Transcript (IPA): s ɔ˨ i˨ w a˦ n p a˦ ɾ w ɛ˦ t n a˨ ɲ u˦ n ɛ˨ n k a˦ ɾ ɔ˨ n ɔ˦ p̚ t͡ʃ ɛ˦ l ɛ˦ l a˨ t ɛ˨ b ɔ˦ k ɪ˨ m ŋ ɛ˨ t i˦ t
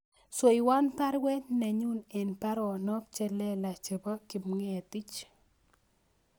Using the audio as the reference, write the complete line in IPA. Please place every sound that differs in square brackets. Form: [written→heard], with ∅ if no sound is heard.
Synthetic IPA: s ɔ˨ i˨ w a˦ n p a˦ ɾ w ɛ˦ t n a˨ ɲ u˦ n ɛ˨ n [k→p] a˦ ɾ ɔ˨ n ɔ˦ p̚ t͡ʃ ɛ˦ l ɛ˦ l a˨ [t→t͡ʃ] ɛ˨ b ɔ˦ k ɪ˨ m ŋ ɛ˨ t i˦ [t→t͡ʃ]